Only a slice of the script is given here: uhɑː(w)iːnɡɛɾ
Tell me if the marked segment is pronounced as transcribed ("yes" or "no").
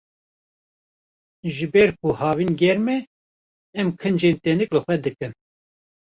no